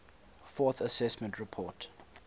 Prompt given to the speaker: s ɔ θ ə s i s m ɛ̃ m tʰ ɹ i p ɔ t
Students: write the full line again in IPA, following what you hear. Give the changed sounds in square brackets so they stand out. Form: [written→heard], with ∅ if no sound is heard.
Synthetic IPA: [s→f] ɔ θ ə s [i→ɛ] s m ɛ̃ [m→n] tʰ ɹ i [p→pʰ] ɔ t